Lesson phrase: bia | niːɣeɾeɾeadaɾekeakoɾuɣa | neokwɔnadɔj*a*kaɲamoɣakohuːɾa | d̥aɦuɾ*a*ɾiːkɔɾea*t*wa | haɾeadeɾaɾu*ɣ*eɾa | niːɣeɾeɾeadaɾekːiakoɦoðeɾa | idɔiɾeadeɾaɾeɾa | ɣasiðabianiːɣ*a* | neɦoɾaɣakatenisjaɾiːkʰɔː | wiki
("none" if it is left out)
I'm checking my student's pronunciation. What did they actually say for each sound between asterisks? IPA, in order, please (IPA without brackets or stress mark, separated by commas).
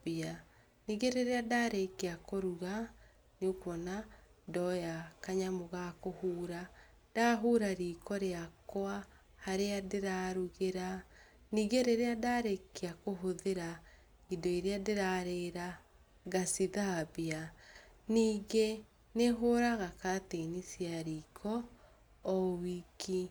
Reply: a, a, k, ɣ, e